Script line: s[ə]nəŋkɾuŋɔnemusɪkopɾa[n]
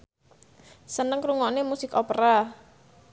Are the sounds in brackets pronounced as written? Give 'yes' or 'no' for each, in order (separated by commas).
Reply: yes, no